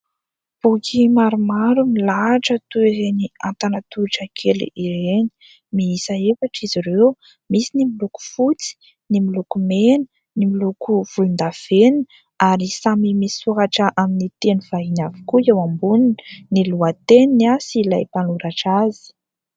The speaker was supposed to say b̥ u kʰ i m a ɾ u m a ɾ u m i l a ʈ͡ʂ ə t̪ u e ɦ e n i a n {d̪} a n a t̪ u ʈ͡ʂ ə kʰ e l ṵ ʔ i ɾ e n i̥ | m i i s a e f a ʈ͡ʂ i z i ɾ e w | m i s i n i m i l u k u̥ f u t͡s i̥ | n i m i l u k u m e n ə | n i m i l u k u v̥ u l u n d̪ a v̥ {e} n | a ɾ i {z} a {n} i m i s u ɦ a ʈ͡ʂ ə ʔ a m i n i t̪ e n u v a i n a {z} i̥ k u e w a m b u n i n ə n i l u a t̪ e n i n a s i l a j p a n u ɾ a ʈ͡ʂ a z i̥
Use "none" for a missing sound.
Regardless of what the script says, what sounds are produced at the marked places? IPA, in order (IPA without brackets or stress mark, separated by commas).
t̪, e, s, m, v